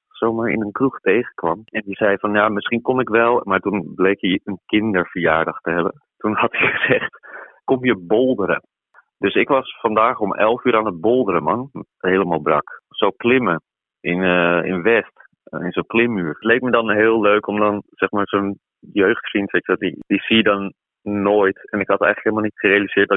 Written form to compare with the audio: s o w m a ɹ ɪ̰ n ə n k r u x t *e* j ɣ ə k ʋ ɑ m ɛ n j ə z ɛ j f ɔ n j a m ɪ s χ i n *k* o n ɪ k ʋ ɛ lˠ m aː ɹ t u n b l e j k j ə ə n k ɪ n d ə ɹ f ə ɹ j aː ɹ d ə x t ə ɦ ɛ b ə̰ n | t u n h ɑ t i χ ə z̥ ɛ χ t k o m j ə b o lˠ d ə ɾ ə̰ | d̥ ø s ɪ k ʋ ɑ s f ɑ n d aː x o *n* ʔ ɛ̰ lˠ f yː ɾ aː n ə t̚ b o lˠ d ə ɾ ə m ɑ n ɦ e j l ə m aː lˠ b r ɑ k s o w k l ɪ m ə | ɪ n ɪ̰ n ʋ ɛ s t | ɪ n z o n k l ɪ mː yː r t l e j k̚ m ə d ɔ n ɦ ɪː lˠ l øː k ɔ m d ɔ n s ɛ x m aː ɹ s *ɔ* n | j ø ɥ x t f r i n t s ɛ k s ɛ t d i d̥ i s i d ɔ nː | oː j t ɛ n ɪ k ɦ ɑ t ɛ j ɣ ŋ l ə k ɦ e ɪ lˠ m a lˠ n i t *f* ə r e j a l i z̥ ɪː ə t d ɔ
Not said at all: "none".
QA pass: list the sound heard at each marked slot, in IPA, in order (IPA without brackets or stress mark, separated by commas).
e, k, m, o, χ